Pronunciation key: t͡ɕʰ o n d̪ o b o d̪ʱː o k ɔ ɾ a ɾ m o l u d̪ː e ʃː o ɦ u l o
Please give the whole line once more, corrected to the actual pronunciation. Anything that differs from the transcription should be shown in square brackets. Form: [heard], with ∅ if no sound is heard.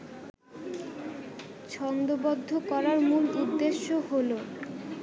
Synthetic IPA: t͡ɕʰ [ɔ] n d̪ o b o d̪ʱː o k ɔ ɾ a ɾ m [u] l u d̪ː e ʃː o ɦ [o] l o